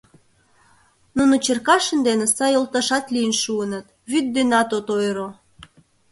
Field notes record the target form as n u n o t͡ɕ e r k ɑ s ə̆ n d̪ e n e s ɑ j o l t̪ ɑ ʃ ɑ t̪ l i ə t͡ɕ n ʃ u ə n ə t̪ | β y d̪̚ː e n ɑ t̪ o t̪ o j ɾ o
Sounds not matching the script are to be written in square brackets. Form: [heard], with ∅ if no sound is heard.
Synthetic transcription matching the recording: n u n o t͡ɕ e r k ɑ [ʃ] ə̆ n d̪ e n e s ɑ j o l t̪ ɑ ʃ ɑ t̪ l i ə [∅] n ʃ u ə n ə t̪ | β y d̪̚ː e n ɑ t̪ o t̪ o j ɾ o